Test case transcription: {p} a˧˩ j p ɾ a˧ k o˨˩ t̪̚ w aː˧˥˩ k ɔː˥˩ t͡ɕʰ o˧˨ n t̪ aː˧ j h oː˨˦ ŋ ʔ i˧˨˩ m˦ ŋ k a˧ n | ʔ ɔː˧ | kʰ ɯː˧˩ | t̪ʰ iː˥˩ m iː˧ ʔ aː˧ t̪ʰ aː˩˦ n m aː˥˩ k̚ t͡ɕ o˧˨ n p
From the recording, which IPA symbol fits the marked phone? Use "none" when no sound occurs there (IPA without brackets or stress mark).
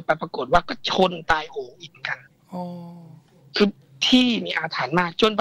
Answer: p